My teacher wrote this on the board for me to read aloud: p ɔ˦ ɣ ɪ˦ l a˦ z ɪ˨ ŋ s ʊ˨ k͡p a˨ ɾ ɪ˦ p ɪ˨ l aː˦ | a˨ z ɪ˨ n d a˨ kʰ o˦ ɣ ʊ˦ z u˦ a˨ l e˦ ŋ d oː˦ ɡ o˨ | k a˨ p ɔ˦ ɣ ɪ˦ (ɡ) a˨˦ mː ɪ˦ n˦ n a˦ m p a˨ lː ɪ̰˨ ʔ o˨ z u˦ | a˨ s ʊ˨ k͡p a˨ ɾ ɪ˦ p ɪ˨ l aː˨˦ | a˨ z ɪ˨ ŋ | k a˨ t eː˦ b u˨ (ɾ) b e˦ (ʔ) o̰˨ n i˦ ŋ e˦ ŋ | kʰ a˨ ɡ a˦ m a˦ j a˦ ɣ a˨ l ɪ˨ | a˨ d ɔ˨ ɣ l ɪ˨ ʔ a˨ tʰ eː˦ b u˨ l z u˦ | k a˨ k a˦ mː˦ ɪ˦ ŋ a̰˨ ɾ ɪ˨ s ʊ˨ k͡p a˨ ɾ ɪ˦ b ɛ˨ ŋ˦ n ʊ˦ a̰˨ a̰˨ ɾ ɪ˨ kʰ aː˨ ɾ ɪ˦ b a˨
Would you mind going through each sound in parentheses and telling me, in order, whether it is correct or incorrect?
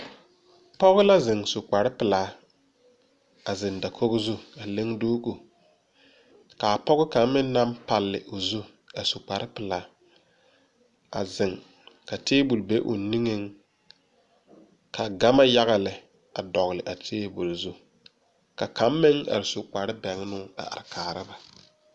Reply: incorrect: k, incorrect: l, correct

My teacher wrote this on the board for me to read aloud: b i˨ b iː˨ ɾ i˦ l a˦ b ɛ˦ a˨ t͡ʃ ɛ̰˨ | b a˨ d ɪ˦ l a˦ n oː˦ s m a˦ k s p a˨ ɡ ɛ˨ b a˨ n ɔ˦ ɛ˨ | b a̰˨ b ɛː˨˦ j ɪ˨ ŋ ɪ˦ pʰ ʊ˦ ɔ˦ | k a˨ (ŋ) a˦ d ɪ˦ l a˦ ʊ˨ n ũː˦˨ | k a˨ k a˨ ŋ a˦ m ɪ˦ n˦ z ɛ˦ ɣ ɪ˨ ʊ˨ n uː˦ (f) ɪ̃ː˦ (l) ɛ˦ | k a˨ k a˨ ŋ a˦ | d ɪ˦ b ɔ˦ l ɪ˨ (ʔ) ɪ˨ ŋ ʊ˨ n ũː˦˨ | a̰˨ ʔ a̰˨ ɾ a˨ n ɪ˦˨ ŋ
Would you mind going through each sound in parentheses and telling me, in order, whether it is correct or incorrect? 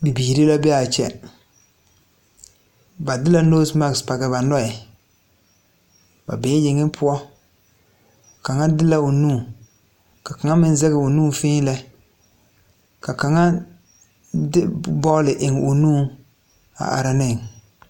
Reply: correct, correct, correct, correct

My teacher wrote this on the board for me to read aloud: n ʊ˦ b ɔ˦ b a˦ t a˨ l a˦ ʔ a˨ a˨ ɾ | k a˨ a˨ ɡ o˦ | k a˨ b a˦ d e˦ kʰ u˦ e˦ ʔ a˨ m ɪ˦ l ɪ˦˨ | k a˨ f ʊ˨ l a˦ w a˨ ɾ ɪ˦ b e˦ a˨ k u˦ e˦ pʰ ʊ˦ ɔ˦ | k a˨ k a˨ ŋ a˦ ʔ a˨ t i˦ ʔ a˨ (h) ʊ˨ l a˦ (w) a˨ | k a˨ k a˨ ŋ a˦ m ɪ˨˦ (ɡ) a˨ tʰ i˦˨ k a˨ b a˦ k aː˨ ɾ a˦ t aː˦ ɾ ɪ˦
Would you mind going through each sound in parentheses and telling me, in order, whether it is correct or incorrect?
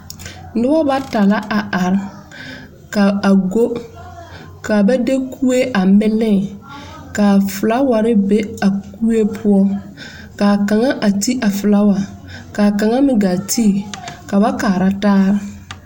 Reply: incorrect: f, correct, correct

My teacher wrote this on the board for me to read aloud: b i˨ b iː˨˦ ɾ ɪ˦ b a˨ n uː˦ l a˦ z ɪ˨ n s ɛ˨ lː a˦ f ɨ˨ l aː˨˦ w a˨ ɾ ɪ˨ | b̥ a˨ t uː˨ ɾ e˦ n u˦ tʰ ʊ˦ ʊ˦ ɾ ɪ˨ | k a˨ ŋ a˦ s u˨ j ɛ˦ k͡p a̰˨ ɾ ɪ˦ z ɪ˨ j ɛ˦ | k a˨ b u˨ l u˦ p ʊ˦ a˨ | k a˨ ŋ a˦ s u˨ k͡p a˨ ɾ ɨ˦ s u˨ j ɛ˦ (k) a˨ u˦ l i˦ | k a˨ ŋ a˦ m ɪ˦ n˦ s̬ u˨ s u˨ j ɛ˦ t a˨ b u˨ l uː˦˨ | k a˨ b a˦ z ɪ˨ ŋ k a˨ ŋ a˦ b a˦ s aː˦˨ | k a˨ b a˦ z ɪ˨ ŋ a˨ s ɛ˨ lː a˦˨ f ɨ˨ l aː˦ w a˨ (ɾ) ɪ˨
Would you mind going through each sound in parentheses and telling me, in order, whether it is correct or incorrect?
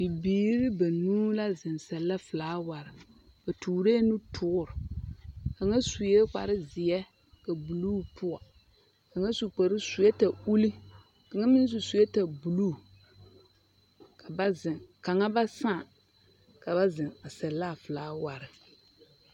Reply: incorrect: t, correct

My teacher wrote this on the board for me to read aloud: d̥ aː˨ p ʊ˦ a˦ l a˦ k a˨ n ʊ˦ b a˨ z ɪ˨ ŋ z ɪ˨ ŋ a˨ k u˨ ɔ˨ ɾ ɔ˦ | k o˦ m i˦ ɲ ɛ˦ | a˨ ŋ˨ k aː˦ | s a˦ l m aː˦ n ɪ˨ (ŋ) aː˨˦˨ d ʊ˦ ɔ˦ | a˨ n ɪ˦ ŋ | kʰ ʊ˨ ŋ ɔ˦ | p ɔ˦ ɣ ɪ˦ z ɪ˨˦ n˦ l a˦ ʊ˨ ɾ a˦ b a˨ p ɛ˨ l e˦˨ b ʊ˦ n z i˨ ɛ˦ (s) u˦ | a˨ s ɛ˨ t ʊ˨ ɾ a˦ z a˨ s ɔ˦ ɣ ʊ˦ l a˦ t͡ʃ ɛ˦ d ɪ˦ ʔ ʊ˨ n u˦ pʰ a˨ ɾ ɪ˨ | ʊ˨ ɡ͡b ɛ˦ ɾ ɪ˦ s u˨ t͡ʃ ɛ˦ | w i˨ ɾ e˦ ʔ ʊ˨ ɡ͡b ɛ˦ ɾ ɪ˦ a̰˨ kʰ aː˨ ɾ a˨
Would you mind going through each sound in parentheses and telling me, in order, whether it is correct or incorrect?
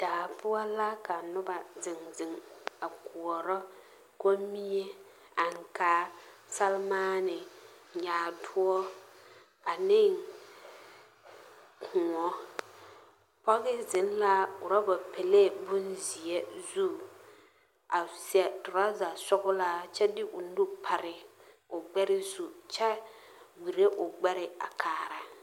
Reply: incorrect: ɲ, incorrect: z

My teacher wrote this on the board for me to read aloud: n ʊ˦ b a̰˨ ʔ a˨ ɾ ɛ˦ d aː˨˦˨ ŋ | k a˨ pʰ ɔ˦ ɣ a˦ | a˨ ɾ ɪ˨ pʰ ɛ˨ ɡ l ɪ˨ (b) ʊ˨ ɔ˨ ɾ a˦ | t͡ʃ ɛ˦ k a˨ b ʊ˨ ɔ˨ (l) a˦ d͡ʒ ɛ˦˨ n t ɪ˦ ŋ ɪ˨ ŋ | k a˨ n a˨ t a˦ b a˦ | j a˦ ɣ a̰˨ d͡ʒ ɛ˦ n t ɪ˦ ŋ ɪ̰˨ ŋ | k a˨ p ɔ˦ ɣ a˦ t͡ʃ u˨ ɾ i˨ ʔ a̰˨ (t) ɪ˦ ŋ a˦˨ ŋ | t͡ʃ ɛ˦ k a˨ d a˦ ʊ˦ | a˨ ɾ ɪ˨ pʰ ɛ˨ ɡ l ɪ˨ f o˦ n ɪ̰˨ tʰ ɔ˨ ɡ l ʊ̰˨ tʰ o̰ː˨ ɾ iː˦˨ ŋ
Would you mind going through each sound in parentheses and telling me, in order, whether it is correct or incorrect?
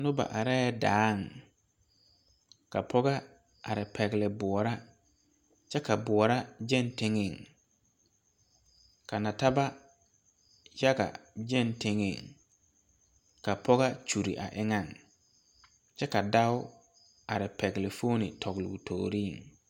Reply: correct, incorrect: ɾ, incorrect: ʔ

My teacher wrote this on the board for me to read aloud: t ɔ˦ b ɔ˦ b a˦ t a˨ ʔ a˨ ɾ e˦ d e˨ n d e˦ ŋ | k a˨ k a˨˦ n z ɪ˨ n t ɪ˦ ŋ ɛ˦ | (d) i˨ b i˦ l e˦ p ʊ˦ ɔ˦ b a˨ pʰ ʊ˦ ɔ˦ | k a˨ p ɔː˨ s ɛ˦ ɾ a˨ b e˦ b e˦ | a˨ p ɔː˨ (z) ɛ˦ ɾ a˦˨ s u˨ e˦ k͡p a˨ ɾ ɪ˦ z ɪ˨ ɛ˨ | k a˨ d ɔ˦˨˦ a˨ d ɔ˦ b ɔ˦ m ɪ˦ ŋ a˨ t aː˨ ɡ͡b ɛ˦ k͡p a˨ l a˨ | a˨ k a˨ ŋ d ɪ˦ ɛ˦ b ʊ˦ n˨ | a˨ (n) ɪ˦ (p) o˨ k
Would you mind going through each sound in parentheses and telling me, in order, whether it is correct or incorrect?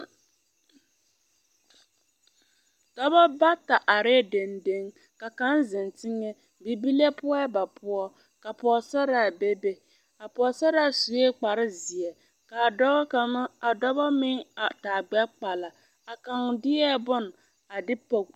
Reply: incorrect: b, incorrect: s, incorrect: d, correct

